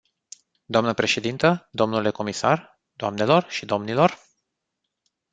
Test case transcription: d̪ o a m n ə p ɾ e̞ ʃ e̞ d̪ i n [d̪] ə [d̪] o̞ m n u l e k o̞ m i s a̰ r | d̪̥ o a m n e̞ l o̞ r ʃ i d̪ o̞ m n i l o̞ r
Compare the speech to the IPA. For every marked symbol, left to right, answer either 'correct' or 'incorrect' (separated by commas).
incorrect, correct